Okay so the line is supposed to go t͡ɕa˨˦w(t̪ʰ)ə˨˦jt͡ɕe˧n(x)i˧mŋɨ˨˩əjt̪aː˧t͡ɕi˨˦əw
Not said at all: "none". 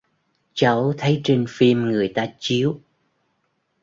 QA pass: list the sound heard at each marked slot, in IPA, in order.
t̪ʰ, f

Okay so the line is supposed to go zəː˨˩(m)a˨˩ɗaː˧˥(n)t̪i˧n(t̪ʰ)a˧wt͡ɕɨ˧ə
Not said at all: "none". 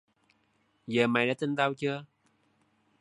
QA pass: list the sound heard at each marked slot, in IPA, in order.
m, none, t̪

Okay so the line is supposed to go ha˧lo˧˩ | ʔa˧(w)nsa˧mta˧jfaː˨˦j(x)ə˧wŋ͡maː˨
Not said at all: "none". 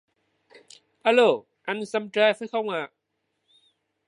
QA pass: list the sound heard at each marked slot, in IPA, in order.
none, x

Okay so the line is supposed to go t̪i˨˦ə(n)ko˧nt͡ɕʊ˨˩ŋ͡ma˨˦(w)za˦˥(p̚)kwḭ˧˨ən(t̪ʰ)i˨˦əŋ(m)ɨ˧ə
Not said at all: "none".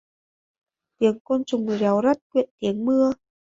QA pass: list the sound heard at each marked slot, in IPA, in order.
ŋ, w, t̚, t̪, m

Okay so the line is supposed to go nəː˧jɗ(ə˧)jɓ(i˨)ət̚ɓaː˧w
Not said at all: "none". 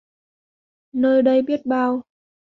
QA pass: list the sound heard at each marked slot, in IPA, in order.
ə˧, i˦˥

